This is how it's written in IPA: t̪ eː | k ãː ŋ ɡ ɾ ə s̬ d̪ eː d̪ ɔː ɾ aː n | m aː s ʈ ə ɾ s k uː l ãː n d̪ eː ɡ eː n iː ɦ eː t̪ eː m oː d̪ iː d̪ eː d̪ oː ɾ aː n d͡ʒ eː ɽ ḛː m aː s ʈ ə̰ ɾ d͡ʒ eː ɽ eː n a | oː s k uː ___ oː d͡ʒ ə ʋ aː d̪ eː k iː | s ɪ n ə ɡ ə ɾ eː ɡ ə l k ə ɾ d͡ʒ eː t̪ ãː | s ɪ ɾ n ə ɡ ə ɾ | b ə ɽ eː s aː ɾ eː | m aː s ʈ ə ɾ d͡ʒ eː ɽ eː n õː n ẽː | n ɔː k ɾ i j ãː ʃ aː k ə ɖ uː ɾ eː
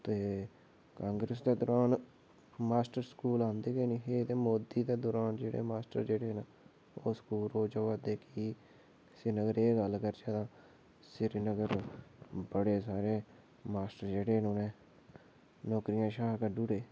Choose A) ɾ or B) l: B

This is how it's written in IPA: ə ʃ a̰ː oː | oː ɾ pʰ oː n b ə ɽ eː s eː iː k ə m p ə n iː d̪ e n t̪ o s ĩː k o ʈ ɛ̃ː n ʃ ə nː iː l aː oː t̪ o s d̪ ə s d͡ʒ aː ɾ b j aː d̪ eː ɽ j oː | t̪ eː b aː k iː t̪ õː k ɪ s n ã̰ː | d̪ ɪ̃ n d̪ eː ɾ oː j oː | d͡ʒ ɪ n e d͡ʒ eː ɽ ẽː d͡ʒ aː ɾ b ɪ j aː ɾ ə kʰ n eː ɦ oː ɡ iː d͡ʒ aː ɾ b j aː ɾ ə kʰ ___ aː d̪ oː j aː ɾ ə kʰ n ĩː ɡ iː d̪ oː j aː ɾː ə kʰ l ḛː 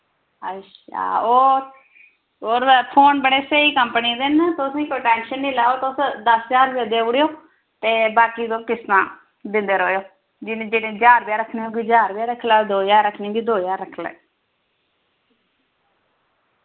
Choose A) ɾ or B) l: B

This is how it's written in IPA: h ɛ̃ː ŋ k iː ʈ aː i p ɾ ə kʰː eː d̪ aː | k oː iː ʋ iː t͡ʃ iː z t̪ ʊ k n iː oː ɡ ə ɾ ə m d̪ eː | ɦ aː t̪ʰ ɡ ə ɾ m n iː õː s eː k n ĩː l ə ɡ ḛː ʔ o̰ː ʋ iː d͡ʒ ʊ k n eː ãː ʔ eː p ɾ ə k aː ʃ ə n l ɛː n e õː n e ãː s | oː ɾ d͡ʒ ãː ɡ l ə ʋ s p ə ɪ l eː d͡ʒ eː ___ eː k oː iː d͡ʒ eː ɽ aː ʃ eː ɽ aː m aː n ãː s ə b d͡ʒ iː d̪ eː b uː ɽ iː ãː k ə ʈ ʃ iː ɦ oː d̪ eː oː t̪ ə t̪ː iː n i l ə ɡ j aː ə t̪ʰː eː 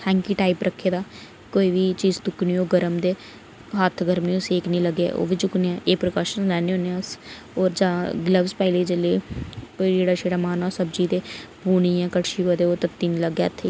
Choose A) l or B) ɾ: A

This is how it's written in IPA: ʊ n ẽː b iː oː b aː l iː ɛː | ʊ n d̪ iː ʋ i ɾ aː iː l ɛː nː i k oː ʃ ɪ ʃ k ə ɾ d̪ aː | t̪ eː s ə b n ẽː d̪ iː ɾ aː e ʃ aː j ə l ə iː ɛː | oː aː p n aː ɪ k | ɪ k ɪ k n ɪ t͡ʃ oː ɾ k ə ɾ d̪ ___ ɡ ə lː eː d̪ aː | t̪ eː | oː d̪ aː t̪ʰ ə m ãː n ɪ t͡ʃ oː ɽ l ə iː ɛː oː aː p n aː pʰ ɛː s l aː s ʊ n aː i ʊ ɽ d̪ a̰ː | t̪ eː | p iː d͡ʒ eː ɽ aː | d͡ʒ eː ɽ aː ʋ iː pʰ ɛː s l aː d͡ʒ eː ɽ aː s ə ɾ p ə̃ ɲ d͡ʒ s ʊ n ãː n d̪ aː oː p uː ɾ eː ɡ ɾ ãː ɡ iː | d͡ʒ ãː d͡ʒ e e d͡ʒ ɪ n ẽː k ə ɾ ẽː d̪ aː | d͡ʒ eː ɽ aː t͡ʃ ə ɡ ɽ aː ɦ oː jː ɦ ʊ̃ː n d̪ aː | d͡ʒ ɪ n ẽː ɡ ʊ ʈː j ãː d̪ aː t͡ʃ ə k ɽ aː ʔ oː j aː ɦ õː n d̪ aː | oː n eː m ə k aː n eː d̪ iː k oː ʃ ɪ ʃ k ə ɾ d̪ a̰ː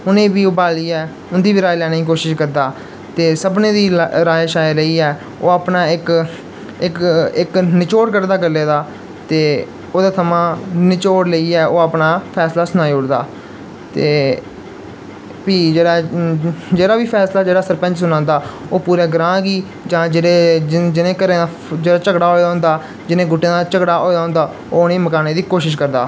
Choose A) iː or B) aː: B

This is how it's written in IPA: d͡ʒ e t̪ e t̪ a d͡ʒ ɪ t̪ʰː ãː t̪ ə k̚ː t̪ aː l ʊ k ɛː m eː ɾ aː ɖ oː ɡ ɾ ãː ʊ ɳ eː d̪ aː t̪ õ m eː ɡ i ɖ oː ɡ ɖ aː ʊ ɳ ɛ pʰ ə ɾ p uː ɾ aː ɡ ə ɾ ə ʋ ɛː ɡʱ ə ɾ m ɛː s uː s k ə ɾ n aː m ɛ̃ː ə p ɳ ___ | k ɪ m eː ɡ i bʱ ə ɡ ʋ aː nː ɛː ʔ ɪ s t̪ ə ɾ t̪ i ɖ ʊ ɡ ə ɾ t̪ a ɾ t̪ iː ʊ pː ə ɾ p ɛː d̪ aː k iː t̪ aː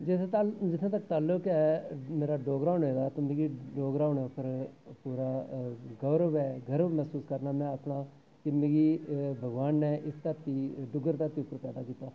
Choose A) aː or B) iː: A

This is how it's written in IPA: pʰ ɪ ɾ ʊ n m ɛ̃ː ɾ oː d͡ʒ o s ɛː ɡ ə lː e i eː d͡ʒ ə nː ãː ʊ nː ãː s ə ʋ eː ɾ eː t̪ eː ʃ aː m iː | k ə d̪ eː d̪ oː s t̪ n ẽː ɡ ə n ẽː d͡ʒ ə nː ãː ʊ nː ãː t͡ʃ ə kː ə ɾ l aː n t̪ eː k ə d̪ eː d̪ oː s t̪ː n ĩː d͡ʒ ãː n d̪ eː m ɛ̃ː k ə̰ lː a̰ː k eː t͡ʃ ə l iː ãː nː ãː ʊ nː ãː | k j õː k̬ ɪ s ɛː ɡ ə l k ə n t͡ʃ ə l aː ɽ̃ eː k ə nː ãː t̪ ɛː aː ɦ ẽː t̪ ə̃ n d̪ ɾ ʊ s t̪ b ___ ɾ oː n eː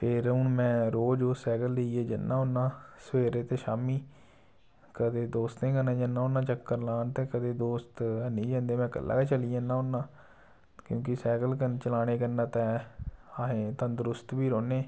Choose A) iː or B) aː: A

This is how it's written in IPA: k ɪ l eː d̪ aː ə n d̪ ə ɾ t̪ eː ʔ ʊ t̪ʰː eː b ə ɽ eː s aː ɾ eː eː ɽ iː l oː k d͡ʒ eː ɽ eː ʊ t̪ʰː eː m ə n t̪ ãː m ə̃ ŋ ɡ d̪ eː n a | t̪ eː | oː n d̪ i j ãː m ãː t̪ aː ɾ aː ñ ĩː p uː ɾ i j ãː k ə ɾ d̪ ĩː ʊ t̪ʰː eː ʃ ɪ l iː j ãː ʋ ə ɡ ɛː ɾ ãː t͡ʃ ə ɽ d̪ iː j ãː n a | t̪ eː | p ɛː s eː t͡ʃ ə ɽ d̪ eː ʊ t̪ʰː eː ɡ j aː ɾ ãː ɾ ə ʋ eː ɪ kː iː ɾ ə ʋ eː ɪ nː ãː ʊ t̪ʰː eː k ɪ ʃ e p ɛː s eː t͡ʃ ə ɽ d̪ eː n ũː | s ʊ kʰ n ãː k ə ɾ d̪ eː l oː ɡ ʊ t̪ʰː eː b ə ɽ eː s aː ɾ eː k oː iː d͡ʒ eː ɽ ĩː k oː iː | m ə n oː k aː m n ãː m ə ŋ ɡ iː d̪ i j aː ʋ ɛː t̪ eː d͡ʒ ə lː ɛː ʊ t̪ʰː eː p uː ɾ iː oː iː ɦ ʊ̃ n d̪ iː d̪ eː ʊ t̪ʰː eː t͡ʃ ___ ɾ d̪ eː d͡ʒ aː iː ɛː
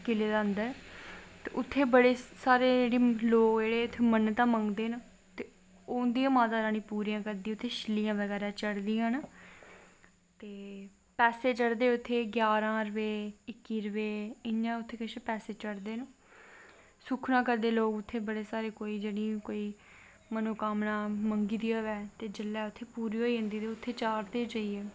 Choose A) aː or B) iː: A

